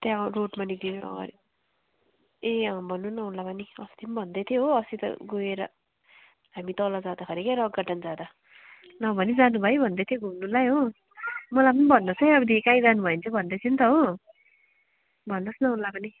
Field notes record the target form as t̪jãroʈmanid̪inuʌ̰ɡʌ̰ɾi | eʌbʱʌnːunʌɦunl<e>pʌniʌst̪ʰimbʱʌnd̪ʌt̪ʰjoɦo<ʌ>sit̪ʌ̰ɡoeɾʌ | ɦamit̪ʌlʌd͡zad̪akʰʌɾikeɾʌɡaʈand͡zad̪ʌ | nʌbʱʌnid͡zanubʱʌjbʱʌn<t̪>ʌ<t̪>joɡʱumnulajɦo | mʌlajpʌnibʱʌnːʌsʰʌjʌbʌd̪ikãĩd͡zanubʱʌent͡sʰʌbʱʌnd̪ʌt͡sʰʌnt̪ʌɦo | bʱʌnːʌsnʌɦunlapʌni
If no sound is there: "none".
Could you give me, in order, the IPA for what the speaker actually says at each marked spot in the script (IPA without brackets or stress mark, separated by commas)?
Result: a, ʌ, d̪, t̪ʰ